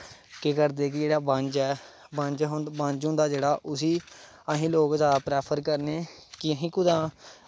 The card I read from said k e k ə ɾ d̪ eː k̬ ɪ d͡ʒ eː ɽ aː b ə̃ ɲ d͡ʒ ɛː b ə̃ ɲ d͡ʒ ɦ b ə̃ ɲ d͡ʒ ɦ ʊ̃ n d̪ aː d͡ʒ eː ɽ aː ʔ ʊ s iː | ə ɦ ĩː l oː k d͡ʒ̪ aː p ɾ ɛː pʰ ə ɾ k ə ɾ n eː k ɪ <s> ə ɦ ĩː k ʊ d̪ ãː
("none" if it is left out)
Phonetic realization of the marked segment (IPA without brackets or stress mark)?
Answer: none